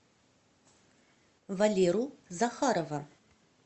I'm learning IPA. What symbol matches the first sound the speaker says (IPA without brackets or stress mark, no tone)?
v